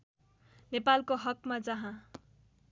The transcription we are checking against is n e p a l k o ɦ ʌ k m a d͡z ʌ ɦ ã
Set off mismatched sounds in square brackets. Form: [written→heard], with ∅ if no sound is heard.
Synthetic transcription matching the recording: n e p a l k o ɦ ʌ k m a d͡z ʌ ɦ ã